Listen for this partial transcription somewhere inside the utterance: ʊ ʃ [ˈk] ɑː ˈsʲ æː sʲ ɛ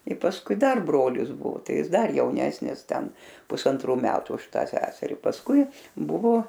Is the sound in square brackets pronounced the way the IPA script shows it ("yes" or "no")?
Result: no